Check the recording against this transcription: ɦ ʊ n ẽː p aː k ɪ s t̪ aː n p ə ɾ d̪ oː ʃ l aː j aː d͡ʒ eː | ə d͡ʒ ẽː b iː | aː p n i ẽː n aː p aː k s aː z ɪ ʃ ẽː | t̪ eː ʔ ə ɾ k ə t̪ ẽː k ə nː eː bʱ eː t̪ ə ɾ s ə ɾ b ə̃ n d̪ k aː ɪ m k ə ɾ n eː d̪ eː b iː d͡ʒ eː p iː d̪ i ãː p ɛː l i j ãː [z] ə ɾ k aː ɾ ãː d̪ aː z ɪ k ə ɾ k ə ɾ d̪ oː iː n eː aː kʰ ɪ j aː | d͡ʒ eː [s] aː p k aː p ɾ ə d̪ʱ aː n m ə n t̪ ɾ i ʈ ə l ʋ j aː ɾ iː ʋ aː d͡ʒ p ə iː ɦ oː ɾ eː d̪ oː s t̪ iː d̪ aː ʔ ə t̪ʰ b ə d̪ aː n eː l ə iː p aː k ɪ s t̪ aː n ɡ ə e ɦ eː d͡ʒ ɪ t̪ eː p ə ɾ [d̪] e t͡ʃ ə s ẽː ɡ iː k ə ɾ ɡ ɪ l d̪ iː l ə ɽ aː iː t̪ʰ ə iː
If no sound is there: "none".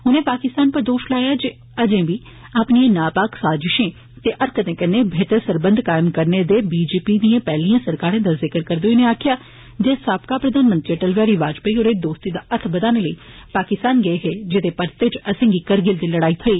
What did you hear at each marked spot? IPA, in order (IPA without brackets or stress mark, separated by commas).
s, s, t̪